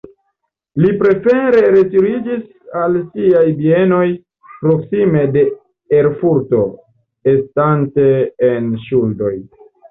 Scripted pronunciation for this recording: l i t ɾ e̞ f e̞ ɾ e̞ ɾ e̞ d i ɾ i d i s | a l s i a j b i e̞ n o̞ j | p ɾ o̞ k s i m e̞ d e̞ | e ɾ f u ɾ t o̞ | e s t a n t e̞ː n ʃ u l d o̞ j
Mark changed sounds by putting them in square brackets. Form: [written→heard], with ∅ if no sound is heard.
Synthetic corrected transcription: l i [t→p] ɾ e̞ f e̞ ɾ e̞ ɾ e̞ [d→t] i ɾ i [d→d͡ʒ] i s | a l s i a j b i e̞ n o̞ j | p ɾ o̞ k s i m e̞ d e̞ | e ɾ f u ɾ t o̞ | e s t a n t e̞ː n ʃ u l d o̞ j

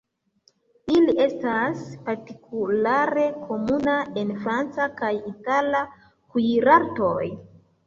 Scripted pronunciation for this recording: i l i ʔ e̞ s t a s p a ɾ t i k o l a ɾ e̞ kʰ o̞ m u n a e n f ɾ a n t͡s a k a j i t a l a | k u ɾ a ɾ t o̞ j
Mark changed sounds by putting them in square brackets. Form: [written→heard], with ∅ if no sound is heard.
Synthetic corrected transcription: i l i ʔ e̞ s t a s p a ɾ t i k [o→u] l a ɾ e̞ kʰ o̞ m u n a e n f ɾ a n t͡s a k a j i t a l a | k u ɾ a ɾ t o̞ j

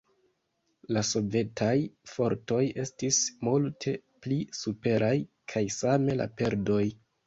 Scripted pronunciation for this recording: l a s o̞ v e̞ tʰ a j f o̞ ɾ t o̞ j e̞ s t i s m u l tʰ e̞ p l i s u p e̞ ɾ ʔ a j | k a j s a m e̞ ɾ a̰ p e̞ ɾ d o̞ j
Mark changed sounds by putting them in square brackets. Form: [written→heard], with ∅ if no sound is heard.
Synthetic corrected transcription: l a s o̞ v e̞ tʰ a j f o̞ ɾ t o̞ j e̞ s t i s m u l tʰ e̞ p l i s u p e̞ ɾ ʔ a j | [k→kʰ] a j s a m e̞ [ɾ→l] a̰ p e̞ ɾ d o̞ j

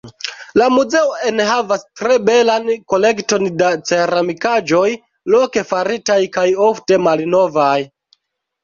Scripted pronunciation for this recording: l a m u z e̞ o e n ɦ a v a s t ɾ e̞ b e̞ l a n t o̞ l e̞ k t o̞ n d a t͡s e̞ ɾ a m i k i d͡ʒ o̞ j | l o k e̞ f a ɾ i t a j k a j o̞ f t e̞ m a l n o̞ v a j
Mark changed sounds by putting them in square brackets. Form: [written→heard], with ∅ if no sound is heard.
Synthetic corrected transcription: l a m u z e̞ o e n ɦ a v a s t ɾ e̞ b e̞ l a n [t→k] o̞ l e̞ k t o̞ n d a t͡s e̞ ɾ a m i k [i→a] d͡ʒ o̞ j | l o k e̞ f a ɾ i t a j k a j o̞ f t e̞ m a l n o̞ v a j

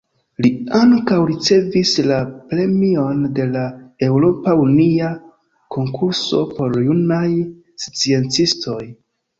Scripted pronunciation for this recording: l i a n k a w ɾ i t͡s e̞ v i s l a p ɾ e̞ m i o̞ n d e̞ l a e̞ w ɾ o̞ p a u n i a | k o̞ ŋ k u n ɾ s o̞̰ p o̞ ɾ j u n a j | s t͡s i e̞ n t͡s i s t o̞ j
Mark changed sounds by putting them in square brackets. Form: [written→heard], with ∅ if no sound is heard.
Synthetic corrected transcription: l i a [n→ŋ] k a w ɾ i t͡s e̞ v i s l a p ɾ e̞ m i o̞ n d e̞ l a e̞ w ɾ o̞ p a u n i a | k o̞ ŋ k u [n→∅] ɾ s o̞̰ p o̞ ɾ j u n a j | s t͡s i e̞ n t͡s i s t o̞ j

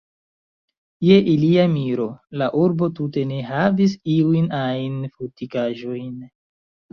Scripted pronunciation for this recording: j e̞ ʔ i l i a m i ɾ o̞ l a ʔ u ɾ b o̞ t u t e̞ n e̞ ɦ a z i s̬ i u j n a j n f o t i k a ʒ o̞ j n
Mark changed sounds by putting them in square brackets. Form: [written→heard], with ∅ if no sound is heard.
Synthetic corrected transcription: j e̞ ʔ i l i a m i ɾ o̞ l a ʔ u ɾ b o̞ t u t e̞ n e̞ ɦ a [z→v] i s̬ i u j n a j n f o t i k a ʒ o̞ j n

